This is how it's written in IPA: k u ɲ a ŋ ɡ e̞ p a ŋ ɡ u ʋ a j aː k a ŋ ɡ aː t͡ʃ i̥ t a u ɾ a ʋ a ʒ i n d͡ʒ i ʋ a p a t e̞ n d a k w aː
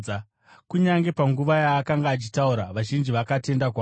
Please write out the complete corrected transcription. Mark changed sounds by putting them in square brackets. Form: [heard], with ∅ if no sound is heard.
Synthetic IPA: k u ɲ a ŋ ɡ e̞ p a ŋ ɡ u ʋ a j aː k a ŋ ɡ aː t͡ʃ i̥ t a u ɾ a ʋ a ʒ i n d͡ʒ i ʋ a [k] a t e̞ n d a k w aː